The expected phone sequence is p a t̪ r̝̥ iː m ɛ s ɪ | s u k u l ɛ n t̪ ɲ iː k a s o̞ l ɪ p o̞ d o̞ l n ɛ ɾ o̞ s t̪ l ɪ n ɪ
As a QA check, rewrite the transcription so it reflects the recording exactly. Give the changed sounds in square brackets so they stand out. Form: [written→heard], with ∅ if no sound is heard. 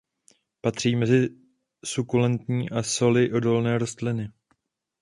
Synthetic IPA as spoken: p a t̪ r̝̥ iː m ɛ [s→z] ɪ | s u k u l ɛ n t̪ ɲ iː [k→ʔ] a s o̞ l ɪ [p→ʔ] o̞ d o̞ l n [ɛ→ɛː] ɾ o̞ s t̪ l ɪ n ɪ